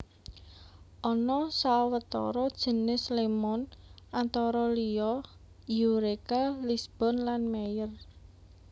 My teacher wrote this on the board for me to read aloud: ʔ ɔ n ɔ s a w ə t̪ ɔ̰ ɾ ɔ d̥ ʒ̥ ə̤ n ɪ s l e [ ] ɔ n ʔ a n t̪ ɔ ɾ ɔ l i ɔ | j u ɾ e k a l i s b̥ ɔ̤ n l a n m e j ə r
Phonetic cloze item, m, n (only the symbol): m